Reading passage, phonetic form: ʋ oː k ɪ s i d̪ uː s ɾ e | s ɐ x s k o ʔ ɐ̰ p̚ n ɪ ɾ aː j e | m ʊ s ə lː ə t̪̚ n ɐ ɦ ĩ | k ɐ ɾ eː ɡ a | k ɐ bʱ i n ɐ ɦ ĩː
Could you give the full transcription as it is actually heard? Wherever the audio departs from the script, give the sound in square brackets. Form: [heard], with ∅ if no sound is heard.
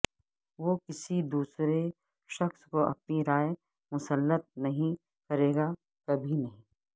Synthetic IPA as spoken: ʋ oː k ɪ s i d̪ uː s ɾ e | [ʃ] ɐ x s k o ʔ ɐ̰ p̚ n [i] ɾ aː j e | m ʊ s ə lː ə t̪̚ n ɐ ɦ ĩ | k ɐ ɾ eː ɡ a | k ɐ bʱ i n ɐ ɦ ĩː